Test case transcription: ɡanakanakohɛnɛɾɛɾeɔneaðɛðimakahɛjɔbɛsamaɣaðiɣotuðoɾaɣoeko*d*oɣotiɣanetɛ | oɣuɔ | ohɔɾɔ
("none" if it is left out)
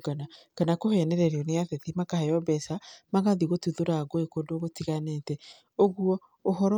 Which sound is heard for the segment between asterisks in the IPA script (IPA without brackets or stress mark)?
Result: d